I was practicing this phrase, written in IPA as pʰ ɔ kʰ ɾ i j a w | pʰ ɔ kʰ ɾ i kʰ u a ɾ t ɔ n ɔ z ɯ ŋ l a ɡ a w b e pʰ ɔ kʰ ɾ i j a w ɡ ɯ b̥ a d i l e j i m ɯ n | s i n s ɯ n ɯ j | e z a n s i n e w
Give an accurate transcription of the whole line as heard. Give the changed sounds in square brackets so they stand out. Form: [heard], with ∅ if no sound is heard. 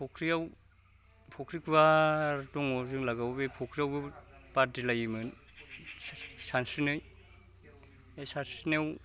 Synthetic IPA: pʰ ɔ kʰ ɾ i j a w | pʰ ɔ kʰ ɾ i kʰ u a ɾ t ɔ [ŋ] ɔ z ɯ ŋ l a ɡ a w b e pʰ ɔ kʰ ɾ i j a w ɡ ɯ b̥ a d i l [a] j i m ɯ n | s [a] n s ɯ n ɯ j | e [s] a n s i n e w